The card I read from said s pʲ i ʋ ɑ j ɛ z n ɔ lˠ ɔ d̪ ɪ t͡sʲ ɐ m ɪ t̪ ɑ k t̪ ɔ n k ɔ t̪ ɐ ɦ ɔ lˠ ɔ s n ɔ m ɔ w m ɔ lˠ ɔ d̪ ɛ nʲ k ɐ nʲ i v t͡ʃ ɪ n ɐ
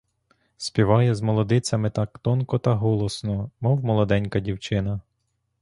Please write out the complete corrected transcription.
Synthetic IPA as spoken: s pʲ i ʋ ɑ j ɛ z m ɔ lˠ ɔ d̪ ɪ t͡sʲ ɐ m ɪ t̪ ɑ k t̪ ɔ n k ɔ t̪ ɐ ɦ ɔ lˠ ɔ s n ɔ m ɔ w m ɔ lˠ ɔ d̪ ɛ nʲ k ɐ dʲ i w t͡ʃ ɪ n ɐ